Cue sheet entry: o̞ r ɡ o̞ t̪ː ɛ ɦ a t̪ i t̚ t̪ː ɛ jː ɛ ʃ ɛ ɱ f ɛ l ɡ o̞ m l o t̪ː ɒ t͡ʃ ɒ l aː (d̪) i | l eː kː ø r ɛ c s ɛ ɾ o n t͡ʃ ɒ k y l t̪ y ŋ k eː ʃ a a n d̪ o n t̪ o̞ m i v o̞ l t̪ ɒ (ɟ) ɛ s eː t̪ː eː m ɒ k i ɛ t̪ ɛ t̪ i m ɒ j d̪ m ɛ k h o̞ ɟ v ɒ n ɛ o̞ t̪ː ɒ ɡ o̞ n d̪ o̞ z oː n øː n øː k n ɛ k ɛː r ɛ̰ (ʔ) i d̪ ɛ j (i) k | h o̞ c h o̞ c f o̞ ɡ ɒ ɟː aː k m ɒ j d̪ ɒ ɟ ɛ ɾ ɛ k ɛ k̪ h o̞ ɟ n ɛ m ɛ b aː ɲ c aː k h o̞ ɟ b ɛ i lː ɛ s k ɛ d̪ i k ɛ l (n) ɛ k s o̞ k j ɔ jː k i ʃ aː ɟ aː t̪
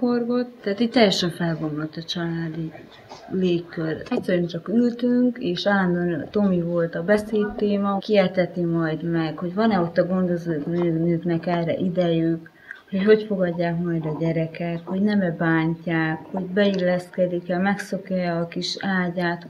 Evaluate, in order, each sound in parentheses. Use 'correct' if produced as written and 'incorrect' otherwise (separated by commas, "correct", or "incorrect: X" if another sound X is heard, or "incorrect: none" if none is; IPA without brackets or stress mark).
correct, incorrect: b, correct, incorrect: y, incorrect: m